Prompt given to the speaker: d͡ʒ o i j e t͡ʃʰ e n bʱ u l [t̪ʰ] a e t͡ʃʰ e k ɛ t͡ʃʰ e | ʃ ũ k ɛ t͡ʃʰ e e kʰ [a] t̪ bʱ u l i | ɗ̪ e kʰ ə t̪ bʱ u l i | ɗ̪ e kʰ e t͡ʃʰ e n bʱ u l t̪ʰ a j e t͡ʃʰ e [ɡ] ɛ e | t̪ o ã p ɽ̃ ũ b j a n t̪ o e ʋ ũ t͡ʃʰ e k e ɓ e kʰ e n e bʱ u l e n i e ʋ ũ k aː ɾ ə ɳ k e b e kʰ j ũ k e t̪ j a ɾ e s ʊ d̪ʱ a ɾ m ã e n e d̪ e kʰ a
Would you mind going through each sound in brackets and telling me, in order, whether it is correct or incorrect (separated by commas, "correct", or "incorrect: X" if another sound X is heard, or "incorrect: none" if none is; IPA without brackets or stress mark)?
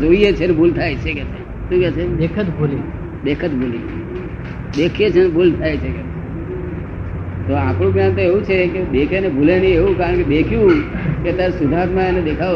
correct, incorrect: ə, incorrect: k